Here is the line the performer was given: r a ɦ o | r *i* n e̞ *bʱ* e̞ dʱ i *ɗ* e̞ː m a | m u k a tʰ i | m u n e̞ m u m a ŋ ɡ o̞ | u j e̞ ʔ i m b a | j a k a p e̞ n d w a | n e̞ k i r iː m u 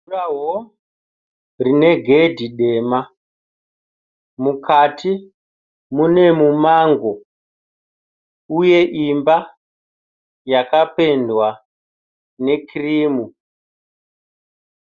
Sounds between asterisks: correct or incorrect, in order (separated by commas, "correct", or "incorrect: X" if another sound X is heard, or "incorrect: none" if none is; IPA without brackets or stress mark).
correct, incorrect: ɡʱ, correct